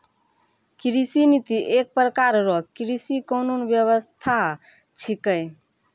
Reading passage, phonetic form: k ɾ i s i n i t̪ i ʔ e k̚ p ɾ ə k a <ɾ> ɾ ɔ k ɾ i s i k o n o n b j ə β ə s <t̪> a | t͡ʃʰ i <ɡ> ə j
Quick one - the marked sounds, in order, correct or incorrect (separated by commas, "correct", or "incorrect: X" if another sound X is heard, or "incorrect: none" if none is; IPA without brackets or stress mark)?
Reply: correct, incorrect: t̪ʰ, incorrect: k